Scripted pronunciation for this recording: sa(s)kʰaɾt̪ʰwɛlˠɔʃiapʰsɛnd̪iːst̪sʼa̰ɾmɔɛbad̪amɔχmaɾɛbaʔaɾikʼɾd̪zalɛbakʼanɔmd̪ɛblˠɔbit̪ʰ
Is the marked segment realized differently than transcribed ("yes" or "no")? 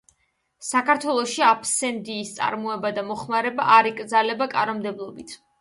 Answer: yes